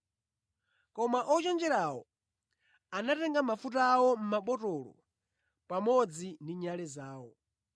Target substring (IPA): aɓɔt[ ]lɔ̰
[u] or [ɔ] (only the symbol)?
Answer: ɔ